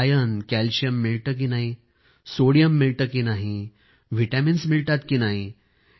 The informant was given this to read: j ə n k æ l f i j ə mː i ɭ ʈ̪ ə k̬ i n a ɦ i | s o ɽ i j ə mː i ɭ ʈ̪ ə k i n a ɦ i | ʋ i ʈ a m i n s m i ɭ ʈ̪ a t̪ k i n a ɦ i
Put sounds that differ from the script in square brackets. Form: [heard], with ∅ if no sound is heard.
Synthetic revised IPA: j ə n k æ l [ɕ] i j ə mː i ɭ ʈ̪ ə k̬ i n a ɦ i | s o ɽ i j ə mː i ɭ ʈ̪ ə k i n a ɦ i | ʋ i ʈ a m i n s m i ɭ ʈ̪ a t̪ k i n a ɦ i